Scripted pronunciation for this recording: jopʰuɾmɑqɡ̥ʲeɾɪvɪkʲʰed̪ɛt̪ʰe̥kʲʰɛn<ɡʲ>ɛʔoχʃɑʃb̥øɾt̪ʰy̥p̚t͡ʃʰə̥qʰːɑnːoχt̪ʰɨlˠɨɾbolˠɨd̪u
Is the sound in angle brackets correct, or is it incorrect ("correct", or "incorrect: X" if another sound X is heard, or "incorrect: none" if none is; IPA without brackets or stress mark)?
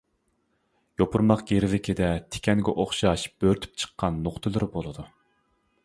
correct